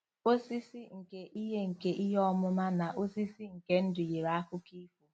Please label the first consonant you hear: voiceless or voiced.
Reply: voiceless